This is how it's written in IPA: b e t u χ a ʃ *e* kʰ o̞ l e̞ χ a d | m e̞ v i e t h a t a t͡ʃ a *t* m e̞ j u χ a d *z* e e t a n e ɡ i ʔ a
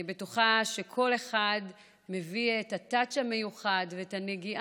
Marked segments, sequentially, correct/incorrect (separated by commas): correct, incorrect, incorrect